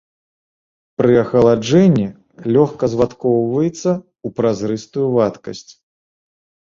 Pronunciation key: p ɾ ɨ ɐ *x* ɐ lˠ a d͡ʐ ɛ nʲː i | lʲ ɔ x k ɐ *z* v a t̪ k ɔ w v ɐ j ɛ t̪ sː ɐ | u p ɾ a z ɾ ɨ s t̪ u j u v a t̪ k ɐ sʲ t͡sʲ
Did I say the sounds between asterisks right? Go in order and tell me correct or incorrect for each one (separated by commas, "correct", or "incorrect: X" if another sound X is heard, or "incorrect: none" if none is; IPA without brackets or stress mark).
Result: correct, correct